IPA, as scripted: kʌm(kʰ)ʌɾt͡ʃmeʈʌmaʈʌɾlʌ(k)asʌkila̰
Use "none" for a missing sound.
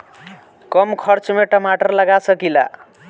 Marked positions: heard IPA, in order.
kʰ, ɡ

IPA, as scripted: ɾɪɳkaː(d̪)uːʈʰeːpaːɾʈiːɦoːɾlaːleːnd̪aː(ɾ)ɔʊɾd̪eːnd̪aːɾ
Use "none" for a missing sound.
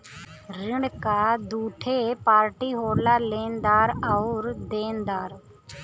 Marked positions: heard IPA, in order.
d̪, ɾ

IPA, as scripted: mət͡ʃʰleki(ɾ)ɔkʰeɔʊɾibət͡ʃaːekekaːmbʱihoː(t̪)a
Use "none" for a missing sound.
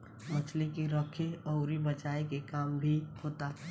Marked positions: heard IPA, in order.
ɾ, t̪

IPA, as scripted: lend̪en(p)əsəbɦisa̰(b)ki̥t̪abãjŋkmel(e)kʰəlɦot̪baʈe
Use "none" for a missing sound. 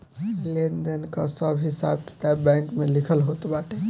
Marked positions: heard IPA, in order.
k, b, i

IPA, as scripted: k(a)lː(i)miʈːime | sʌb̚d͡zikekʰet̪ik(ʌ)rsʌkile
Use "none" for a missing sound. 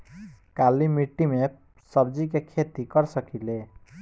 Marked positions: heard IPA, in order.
a, i, ʌ

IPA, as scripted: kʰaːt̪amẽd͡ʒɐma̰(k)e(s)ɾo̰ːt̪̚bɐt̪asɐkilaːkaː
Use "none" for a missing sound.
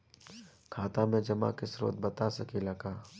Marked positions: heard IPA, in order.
k, s

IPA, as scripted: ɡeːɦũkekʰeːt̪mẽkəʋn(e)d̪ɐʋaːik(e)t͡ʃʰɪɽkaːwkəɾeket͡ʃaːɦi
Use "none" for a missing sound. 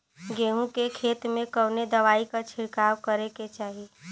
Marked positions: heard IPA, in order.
e, a

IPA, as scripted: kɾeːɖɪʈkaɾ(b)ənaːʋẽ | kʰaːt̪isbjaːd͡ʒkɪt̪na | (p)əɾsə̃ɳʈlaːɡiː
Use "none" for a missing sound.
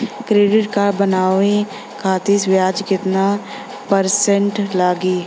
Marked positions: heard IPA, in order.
b, p

